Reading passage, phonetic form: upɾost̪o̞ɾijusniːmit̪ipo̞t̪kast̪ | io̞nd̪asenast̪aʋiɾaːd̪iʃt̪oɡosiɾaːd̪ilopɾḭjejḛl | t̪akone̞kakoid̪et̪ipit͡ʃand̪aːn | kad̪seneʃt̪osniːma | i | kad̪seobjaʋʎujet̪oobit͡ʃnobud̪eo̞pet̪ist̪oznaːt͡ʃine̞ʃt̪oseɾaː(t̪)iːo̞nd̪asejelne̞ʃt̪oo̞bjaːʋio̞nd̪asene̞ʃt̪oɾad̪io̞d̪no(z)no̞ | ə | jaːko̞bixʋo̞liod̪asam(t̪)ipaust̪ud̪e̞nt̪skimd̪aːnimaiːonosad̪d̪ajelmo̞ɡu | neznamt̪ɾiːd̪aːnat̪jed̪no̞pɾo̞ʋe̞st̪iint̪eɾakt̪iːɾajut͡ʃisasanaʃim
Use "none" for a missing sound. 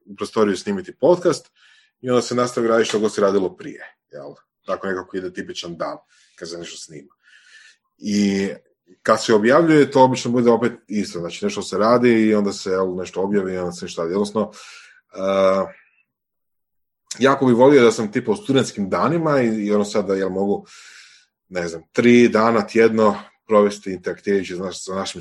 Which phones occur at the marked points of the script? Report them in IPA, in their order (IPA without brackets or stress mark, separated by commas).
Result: d̪, s, t̪